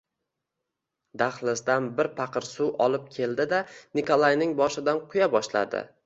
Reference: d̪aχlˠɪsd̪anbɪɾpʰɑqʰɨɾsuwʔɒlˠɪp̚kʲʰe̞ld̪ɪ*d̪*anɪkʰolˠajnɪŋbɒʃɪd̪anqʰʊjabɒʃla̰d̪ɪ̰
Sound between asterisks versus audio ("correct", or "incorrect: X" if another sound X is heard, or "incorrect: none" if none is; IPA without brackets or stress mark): correct